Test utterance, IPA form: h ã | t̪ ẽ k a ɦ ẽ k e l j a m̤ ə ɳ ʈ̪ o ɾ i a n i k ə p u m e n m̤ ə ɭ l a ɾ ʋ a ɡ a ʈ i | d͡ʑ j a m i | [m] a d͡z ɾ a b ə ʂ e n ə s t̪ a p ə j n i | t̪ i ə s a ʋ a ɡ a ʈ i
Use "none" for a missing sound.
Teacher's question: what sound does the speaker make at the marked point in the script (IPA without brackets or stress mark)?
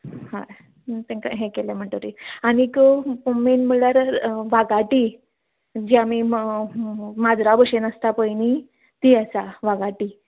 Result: m